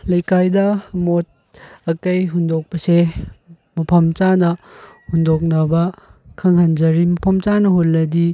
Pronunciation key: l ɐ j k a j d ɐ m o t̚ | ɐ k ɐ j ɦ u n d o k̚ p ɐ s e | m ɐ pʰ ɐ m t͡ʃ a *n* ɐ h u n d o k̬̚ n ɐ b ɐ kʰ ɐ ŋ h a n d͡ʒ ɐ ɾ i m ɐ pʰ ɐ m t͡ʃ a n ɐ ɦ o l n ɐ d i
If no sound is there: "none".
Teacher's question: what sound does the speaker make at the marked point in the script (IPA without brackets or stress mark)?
n